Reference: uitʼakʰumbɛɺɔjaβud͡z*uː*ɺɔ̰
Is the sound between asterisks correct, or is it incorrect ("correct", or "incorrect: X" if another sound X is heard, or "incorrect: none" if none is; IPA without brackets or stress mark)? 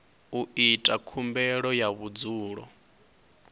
correct